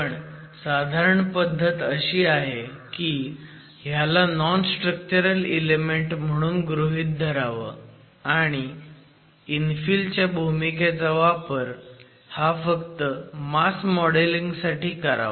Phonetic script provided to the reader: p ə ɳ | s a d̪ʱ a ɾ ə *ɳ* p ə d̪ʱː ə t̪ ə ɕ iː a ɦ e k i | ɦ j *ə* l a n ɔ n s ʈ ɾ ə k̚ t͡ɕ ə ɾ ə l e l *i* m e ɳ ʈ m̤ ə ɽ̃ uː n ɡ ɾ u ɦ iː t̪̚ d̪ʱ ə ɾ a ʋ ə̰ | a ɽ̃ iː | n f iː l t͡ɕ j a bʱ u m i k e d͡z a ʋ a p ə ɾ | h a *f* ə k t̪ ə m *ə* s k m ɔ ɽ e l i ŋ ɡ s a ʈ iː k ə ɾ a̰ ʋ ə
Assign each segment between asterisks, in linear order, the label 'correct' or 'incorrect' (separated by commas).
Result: correct, incorrect, incorrect, correct, incorrect